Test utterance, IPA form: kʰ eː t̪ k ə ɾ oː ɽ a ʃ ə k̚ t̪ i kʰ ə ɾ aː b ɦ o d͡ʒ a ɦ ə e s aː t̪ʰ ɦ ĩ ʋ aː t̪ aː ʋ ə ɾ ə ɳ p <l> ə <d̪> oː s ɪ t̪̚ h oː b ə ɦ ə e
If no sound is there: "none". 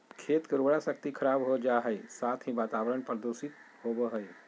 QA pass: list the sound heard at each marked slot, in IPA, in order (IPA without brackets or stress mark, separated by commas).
ɾ, d̪